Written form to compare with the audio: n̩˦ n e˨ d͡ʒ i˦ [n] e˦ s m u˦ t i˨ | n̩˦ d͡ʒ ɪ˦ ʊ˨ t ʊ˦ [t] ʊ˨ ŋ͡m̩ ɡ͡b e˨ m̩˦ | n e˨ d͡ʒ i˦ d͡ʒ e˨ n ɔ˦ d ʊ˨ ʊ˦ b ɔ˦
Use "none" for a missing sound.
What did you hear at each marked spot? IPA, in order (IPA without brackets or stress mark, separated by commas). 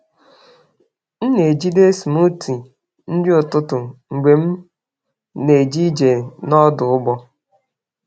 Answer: d, t